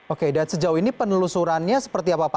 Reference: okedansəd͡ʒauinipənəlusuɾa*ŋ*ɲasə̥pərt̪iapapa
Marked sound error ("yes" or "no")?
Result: yes